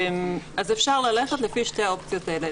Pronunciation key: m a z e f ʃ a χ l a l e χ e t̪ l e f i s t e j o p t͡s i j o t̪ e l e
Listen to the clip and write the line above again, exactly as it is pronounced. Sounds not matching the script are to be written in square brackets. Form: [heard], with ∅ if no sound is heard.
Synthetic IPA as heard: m a z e f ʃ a [ʁ] l a l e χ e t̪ l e f i [ʃ] t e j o p t͡s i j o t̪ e l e